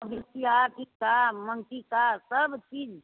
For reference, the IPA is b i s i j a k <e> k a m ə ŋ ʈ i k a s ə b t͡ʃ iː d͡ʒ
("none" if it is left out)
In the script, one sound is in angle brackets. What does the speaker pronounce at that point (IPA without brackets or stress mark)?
i